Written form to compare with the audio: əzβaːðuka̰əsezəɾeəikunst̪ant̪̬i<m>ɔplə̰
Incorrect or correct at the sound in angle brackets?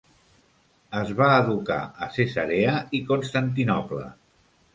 incorrect: n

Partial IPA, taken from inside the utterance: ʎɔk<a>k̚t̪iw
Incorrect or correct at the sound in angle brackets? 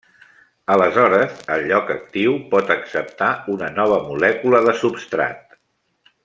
incorrect: ə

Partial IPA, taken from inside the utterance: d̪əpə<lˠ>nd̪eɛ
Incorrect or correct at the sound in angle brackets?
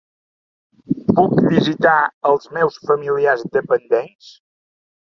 incorrect: none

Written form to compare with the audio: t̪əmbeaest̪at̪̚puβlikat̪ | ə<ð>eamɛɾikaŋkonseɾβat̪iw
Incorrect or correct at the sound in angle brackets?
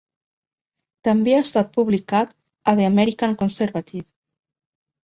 correct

